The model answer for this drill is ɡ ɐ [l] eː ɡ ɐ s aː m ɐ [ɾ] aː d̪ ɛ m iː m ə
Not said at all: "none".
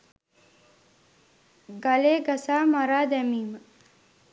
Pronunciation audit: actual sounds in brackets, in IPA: l, ɾ

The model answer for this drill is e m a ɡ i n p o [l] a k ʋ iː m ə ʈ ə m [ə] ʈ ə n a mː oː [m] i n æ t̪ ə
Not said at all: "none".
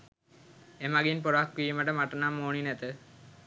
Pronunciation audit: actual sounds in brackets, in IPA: ɾ, a, n

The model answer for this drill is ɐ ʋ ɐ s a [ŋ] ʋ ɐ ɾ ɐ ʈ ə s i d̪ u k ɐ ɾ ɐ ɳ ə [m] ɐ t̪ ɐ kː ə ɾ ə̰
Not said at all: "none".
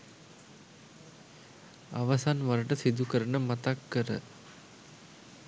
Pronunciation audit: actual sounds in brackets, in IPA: n, m

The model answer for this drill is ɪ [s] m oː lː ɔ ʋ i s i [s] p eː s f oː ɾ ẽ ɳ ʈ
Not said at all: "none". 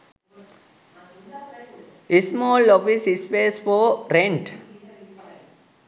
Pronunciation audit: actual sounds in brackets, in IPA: s, s

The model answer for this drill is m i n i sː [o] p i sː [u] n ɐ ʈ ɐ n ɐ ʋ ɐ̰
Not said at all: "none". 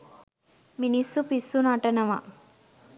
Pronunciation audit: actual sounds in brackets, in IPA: u, u

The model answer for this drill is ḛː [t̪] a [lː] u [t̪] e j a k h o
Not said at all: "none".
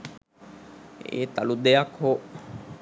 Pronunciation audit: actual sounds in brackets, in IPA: t̪, l, d̪

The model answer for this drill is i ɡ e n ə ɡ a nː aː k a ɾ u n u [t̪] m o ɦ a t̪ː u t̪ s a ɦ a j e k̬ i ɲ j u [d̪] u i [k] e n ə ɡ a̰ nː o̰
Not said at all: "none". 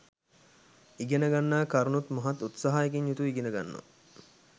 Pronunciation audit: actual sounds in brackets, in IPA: t̪, t̪, ɡ

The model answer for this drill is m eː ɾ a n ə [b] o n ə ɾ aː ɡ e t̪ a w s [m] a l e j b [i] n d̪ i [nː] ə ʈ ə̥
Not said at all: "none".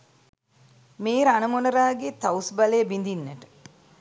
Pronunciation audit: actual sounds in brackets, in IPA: m, b, i, nː

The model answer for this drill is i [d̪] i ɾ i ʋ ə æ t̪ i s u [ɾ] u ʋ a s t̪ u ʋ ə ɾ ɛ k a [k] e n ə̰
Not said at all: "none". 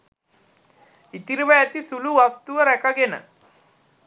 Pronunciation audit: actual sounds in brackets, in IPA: t̪, l, ɡ

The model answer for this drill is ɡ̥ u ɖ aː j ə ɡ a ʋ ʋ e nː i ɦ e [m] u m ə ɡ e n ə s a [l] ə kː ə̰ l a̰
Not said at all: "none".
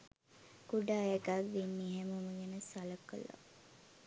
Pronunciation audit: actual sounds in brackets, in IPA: m, l

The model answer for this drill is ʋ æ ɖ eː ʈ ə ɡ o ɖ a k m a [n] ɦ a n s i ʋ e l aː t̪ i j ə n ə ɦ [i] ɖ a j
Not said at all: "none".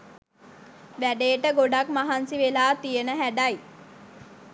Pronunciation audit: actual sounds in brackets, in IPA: none, æ

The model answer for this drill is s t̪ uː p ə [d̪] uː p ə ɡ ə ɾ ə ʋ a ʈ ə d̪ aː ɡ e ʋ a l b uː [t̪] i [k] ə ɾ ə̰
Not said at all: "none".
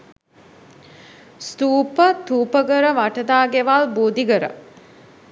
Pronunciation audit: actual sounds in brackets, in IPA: t̪, d̪, ɡ

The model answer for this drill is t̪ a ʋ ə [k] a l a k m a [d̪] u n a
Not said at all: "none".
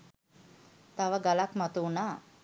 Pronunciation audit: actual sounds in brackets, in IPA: ɡ, t̪

